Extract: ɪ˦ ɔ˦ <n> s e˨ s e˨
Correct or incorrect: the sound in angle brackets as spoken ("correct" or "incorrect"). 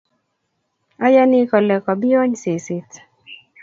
incorrect